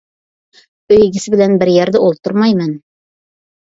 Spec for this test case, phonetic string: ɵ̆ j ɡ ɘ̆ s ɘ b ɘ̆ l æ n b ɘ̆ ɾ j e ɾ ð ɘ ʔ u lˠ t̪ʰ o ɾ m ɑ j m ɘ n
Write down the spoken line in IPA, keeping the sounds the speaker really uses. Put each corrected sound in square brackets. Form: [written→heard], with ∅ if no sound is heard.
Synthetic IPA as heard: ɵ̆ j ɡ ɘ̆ s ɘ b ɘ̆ l æ n b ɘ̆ ɾ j [e→æ] ɾ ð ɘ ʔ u lˠ [t̪ʰ→t̪] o ɾ m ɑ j m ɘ n